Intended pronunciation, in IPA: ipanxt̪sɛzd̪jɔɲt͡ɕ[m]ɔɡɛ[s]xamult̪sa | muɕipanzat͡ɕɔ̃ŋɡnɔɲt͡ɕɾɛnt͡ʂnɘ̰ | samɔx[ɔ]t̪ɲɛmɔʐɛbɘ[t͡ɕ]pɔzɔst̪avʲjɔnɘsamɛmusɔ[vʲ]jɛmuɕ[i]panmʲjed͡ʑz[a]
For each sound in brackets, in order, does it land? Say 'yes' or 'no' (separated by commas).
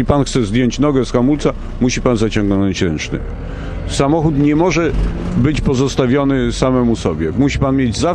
no, yes, no, yes, no, yes, yes